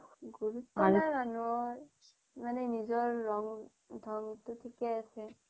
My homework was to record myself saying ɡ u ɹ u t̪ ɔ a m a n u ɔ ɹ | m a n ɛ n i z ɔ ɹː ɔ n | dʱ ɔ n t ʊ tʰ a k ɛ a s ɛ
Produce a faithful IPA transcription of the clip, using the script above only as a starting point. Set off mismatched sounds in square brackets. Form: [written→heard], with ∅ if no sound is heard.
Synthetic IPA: ɡ u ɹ u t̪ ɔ a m a n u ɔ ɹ | m a n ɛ n i z ɔ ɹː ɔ [n→ŋ] | dʱ ɔ [n→ŋ] t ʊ tʰ [a→i] k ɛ a s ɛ